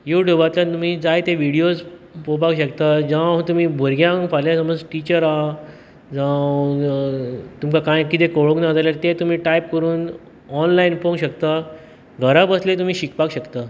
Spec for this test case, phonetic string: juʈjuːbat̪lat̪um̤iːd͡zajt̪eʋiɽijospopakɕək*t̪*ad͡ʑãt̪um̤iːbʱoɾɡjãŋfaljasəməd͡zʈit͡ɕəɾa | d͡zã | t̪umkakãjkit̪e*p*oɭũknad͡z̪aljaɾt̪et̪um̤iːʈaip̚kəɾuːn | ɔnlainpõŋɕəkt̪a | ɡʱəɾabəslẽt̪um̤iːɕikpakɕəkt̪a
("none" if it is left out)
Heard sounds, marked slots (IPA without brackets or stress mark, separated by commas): t̪, k